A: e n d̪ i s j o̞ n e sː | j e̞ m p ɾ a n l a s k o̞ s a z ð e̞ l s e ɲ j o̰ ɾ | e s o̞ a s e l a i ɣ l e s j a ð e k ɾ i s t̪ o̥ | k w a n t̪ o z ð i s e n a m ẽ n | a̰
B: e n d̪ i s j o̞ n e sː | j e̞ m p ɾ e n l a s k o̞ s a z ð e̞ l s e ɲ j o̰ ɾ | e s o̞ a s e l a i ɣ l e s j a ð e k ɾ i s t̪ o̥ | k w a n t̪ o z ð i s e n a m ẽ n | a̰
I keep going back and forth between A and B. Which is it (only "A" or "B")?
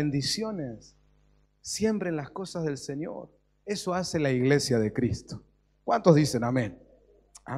B